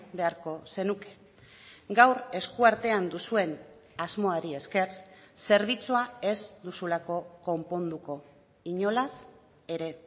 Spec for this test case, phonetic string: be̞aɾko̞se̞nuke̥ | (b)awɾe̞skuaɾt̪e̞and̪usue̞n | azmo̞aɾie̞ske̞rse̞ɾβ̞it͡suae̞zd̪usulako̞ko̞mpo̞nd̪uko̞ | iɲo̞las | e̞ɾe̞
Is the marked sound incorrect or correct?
incorrect